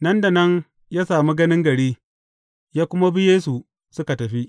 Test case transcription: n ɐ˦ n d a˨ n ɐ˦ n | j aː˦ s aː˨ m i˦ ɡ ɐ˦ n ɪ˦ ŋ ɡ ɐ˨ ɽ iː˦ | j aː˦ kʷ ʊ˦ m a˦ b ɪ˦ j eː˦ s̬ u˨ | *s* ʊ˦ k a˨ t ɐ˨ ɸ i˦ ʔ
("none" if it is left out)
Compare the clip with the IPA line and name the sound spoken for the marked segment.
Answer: s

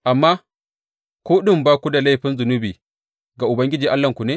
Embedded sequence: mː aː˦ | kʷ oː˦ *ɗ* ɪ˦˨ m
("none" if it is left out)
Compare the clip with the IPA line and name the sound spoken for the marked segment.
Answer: ɗ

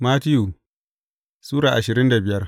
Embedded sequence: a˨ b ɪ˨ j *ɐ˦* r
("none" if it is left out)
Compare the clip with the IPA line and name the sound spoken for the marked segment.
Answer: ɐ˦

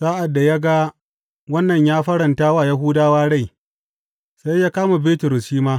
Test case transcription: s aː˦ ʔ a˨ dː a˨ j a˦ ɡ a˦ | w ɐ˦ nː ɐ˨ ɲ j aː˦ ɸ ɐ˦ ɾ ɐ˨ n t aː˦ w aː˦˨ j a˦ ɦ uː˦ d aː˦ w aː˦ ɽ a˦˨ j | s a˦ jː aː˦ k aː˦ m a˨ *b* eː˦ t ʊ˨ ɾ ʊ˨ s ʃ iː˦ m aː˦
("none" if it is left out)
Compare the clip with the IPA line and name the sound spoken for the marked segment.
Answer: b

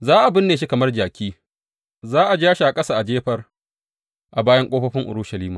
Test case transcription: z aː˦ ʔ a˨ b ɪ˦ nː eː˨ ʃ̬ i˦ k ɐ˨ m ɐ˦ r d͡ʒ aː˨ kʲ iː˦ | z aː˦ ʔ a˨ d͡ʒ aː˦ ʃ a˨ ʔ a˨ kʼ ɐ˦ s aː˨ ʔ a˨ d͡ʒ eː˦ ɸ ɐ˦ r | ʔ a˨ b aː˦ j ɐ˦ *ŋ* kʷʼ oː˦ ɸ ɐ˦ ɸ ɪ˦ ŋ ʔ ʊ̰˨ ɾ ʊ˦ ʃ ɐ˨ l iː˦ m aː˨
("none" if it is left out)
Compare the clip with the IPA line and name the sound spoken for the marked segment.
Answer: ŋ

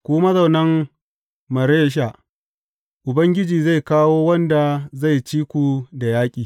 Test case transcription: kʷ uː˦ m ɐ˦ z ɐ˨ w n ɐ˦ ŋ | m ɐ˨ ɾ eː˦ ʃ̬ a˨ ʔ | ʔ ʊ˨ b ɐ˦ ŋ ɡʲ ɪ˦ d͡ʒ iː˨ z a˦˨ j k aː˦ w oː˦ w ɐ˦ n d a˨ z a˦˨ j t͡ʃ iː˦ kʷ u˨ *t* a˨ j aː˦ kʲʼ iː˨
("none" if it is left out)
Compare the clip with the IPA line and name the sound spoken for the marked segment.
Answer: d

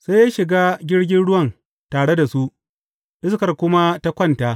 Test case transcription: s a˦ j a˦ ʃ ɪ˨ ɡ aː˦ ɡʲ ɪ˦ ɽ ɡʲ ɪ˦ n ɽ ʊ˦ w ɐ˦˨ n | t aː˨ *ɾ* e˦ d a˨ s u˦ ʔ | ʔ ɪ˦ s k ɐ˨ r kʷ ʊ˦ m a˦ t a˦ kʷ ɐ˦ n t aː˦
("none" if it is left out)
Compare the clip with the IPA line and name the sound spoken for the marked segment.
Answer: ɽ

